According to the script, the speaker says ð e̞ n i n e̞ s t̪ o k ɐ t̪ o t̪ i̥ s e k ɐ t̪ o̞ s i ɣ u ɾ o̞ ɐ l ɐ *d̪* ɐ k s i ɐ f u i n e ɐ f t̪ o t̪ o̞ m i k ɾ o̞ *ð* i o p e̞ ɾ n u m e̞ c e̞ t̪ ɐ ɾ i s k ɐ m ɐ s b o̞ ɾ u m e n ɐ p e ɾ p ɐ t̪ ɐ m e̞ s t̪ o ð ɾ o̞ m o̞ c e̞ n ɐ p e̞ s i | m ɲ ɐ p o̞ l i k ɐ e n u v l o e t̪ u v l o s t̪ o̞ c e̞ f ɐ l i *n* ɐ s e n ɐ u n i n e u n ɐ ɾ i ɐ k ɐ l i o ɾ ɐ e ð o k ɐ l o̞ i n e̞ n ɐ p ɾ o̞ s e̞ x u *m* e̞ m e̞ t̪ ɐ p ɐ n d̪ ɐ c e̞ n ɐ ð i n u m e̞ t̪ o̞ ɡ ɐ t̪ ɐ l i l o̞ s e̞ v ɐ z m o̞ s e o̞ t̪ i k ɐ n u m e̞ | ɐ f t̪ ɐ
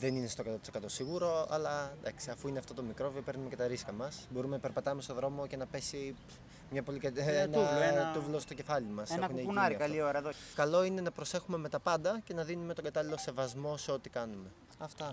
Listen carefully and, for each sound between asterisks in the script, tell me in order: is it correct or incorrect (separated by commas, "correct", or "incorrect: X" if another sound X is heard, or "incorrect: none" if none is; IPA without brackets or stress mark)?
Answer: correct, incorrect: v, incorrect: m, correct